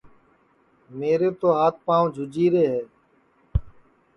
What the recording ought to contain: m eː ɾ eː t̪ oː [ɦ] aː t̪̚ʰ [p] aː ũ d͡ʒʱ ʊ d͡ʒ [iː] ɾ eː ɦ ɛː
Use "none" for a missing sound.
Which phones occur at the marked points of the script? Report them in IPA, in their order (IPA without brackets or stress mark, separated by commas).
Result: ɦ, p, iː